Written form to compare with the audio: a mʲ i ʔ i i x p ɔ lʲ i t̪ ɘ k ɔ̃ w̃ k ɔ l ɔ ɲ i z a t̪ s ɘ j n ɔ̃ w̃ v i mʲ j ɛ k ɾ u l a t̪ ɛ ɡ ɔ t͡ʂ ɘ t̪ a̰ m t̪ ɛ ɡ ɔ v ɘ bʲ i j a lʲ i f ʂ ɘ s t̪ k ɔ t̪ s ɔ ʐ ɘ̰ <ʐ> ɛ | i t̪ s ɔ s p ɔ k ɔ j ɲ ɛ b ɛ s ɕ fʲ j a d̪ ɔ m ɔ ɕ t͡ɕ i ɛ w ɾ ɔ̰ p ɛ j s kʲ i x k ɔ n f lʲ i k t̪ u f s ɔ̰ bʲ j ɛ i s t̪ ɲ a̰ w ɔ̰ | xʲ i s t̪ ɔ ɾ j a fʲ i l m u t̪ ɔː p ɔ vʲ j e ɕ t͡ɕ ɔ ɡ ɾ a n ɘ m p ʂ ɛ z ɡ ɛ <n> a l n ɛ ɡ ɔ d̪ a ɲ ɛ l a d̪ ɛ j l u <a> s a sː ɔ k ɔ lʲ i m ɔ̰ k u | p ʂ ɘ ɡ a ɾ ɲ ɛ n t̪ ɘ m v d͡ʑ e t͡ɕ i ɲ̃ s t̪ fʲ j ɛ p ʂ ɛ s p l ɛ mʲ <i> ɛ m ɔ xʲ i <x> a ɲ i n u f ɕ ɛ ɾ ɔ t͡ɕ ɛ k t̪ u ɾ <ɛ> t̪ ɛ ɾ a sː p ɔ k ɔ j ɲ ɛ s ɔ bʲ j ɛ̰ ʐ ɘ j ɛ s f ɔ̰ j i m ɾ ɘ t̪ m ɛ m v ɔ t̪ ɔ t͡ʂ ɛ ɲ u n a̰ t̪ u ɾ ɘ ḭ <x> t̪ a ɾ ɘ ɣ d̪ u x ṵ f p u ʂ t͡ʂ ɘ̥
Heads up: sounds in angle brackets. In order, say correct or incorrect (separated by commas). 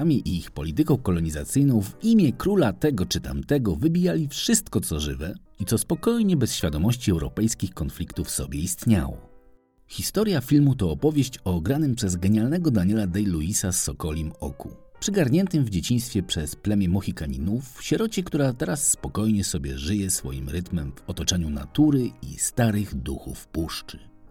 incorrect, incorrect, incorrect, incorrect, incorrect, incorrect, incorrect